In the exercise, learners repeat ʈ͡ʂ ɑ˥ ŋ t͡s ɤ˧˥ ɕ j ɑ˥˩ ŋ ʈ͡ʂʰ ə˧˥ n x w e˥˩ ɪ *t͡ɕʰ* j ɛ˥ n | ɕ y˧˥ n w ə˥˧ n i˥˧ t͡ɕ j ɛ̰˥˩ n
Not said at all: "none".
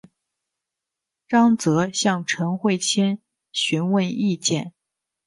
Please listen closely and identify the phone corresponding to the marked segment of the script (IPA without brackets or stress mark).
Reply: t͡ɕʰ